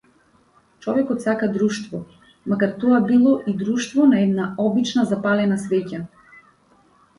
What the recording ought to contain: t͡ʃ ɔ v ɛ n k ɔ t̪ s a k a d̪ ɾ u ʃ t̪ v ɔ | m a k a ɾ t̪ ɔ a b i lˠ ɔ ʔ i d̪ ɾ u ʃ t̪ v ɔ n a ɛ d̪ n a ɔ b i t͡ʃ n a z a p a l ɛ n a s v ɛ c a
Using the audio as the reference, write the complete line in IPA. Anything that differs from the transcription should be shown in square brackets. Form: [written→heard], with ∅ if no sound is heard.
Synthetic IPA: t͡ʃ ɔ v ɛ [n→∅] k ɔ t̪ s a k a d̪ ɾ u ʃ t̪ v ɔ | m a k a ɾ t̪ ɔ a b i lˠ ɔ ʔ i d̪ ɾ u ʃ t̪ v ɔ n a ɛ d̪ n a ɔ b i t͡ʃ n a z a p a l ɛ n a s v ɛ c a